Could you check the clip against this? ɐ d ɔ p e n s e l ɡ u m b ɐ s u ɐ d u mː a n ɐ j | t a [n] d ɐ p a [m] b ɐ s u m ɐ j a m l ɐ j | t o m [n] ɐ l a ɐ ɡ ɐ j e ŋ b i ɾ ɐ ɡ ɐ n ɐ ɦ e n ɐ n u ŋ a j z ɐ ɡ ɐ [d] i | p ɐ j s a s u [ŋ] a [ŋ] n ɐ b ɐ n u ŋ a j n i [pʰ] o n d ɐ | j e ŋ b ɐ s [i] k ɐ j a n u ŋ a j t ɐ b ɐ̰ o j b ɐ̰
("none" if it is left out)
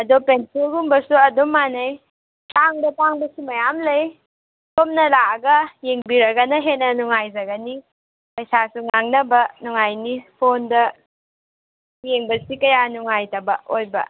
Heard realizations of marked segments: ŋ, ŋ, n, n, ŋ, ŋ, pʰ, i

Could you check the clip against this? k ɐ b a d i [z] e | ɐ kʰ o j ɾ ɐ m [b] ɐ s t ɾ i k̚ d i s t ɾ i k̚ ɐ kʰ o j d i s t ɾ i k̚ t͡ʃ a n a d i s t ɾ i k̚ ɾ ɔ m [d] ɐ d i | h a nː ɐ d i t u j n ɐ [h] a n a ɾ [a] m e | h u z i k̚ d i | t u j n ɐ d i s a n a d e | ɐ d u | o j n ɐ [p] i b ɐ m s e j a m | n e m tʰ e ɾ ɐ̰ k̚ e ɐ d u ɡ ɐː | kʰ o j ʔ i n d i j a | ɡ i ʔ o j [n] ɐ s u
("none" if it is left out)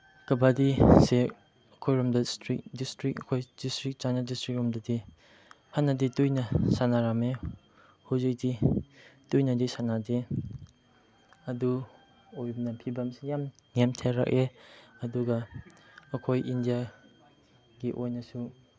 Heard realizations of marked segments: s, d, d, s, a, pʰ, n

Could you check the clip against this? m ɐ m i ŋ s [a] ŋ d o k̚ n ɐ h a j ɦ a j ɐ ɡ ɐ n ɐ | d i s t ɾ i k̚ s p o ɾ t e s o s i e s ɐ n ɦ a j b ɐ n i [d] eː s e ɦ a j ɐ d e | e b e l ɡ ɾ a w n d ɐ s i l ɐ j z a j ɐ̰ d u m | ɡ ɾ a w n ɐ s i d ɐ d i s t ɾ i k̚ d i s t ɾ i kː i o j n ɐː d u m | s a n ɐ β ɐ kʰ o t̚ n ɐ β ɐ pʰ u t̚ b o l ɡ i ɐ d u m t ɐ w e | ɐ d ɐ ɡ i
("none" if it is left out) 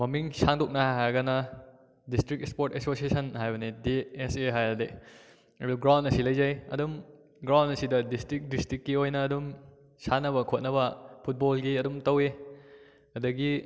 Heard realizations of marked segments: a, d

